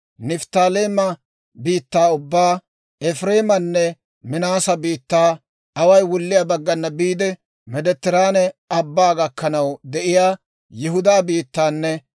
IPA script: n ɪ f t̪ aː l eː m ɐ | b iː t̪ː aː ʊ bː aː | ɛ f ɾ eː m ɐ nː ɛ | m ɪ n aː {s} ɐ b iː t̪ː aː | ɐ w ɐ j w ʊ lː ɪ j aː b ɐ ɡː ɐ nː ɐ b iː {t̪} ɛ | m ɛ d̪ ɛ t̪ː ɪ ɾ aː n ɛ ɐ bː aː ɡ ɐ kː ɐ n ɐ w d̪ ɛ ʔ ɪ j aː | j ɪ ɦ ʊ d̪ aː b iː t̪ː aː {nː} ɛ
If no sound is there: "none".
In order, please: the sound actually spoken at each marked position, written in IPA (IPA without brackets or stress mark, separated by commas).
s, d̪, nː